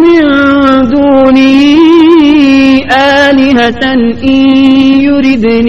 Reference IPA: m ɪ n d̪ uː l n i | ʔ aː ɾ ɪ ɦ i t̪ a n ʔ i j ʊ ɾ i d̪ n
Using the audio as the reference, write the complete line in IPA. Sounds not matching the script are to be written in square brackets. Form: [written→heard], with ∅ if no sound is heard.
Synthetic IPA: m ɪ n d̪ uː [l→∅] n i | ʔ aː [ɾ→l] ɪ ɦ [i→a] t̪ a n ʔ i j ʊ ɾ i d̪ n